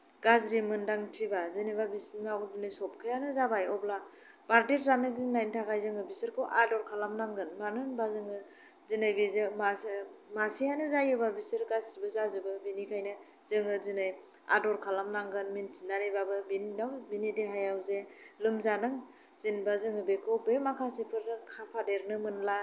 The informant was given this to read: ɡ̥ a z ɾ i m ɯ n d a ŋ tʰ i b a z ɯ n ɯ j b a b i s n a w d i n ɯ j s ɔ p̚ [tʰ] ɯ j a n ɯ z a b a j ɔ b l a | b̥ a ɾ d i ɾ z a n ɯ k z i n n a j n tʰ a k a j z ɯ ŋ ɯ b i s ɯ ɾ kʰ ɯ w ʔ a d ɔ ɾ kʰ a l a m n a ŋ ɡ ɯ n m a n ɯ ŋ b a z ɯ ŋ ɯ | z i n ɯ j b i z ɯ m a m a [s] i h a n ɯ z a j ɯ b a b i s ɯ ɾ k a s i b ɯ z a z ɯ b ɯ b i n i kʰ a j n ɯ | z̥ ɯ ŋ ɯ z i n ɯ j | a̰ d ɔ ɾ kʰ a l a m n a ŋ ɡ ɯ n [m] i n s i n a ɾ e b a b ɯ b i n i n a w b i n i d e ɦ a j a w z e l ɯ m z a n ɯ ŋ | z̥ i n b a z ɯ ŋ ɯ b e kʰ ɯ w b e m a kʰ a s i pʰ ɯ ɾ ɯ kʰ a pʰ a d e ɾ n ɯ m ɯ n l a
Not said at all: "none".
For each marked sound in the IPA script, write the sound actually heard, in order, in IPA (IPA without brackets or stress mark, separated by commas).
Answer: kʰ, s, m